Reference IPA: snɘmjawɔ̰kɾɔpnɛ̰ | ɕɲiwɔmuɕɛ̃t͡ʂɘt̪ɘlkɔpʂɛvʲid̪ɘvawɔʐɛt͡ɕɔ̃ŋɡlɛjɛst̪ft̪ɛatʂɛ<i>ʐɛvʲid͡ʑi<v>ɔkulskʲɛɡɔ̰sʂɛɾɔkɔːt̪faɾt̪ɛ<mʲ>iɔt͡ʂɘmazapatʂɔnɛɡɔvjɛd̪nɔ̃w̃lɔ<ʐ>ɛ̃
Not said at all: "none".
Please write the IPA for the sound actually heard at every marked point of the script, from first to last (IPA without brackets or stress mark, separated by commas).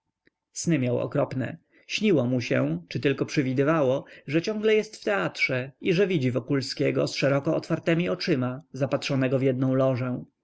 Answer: i, v, mʲ, ʐ